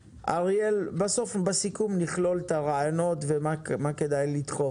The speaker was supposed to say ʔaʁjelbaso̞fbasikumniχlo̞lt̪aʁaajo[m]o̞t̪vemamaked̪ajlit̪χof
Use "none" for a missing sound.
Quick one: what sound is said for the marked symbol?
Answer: n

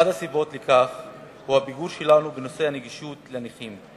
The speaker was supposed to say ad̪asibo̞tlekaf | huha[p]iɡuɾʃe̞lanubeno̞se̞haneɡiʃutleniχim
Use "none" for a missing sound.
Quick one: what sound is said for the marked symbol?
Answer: b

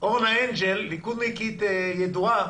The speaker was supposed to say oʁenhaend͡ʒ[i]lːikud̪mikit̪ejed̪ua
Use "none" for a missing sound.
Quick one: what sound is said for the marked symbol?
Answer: e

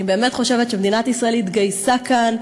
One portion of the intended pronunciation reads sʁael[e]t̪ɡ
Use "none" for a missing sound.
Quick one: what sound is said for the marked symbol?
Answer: i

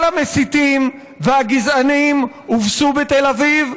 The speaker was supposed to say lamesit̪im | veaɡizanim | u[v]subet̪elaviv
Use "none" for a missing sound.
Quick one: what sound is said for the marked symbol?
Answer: v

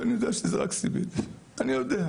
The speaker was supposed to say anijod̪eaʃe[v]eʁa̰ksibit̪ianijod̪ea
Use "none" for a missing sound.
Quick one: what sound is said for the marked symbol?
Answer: z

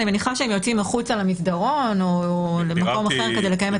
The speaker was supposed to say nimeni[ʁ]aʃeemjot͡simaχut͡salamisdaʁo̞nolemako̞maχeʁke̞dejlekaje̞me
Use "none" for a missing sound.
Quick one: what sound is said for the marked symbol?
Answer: χ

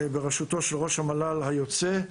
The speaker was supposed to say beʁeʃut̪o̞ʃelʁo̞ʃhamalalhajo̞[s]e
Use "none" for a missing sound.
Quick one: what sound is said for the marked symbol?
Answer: t͡s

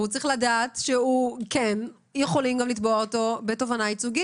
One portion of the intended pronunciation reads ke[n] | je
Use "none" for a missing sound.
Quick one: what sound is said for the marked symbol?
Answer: n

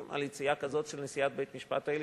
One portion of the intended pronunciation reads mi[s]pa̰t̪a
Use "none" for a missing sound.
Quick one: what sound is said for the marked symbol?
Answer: ʃ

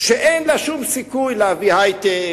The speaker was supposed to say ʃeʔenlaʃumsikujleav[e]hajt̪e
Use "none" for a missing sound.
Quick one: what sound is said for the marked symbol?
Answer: i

